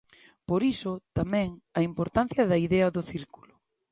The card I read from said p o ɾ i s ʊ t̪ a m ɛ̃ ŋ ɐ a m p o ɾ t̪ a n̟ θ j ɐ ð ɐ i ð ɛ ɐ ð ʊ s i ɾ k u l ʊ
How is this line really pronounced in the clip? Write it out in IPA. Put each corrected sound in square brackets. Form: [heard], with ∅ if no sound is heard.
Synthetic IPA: p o ɾ i s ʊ t̪ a m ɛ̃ ŋ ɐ [i] m p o ɾ t̪ a n̟ θ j ɐ ð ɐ i ð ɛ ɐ ð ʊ [θ] i ɾ k u l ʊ

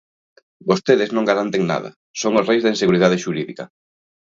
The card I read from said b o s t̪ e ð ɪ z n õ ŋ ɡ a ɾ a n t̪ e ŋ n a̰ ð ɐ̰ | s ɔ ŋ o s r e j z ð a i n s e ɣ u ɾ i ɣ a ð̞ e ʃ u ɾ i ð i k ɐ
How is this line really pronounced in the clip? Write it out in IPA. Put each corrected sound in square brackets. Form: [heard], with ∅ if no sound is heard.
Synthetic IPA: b o s t̪ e ð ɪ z n õ ŋ ɡ a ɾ a n t̪ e ŋ n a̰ ð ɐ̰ | s [o] ŋ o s r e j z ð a i n s e ɣ u ɾ i [ð] a ð̞ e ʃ u ɾ i ð i k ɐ

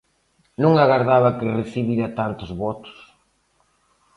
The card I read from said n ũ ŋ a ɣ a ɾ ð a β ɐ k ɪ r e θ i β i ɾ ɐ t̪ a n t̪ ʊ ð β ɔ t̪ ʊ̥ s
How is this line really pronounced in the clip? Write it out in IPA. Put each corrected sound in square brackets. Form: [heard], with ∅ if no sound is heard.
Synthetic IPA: n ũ ŋ a ɣ a ɾ ð a β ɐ k ɪ r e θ i β i ɾ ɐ t̪ a n t̪ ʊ [z] β ɔ t̪ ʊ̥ s

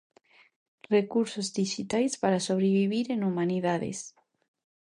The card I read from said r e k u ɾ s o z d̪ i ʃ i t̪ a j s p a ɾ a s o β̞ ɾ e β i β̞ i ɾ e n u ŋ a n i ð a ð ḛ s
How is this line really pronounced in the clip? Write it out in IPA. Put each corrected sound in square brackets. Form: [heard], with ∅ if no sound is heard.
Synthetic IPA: r e k u ɾ s o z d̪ i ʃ i t̪ a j s p a ɾ a s o β̞ ɾ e β i β̞ i ɾ e n u [m] a n i ð a ð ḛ s

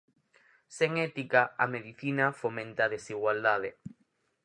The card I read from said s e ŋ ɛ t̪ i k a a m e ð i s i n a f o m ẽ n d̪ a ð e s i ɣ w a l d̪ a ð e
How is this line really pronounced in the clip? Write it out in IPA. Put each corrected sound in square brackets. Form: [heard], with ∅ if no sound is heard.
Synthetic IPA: s e ŋ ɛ t̪ i k a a m e ð i [θ] i n a f o m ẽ n [t̪] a ð e s i ɣ w a l d̪ a ð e

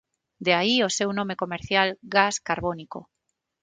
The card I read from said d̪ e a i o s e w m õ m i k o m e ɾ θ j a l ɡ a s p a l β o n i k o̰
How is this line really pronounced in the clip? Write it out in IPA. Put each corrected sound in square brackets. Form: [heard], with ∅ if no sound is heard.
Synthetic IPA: d̪ e a i o s e w [n] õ m [e] k o m e ɾ θ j a l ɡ a s [k] a [ɾ] β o n i k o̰

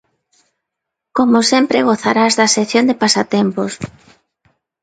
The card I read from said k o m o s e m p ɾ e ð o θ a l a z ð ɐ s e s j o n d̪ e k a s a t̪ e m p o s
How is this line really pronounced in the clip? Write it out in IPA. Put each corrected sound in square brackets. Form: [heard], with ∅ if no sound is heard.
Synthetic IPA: k o m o s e m p ɾ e [ɣ] o θ a [ɾ] a z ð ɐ s e [θ] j o n d̪ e [p] a s a t̪ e m p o s

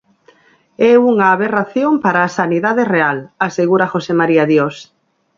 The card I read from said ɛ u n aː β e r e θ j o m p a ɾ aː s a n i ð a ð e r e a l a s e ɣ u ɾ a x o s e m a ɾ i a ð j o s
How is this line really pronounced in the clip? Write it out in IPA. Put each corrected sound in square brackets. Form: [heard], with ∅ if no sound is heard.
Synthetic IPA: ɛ u [ŋ] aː β e r [a] θ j o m p a ɾ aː s a n i ð a ð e r e a l a s e ɣ u ɾ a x o s e m a ɾ i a ð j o s

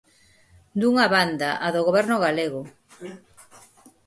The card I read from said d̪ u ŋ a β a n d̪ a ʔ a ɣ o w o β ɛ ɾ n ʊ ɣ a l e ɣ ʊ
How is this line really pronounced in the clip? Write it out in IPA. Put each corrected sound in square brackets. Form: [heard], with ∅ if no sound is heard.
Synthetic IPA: d̪ u ŋ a β a n d̪ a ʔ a [ð] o [ɣ] o β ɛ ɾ n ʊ ɣ a l e ɣ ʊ

